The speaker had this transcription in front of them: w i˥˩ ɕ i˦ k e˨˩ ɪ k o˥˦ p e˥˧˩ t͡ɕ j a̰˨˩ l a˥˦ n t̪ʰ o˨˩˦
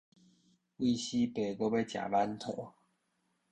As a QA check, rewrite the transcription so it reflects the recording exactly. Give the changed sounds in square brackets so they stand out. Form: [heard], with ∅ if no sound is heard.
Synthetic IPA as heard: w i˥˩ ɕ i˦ [p] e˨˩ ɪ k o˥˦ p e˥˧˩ t͡ɕ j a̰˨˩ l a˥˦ n t̪ʰ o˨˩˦